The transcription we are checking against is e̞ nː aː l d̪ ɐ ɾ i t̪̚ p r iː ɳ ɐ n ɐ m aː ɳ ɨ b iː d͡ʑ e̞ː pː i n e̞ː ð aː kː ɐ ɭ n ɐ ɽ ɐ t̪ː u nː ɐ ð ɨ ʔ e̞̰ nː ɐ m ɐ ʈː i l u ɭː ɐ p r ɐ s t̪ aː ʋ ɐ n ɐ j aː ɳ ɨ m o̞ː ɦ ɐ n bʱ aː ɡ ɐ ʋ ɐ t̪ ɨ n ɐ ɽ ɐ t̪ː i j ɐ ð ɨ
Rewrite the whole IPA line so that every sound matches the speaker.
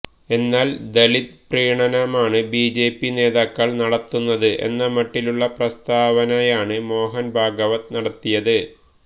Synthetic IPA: e̞ nː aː l d̪ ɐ l i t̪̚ p r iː ɳ ɐ n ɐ m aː ɳ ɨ b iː d͡ʑ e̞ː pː i n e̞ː ð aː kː ɐ ɭ n ɐ ɽ ɐ t̪ː u nː ɐ ð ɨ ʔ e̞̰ nː ɐ m ɐ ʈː i l u ɭː ɐ p r ɐ s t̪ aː ʋ ɐ n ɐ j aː ɳ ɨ m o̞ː ɦ ɐ n bʱ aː ɡ ɐ ʋ ɐ t̪ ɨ n ɐ ɽ ɐ t̪ː i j ɐ ð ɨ